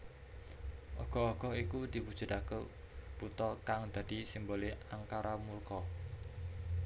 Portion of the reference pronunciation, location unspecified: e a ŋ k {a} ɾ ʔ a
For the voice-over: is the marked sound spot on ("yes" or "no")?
yes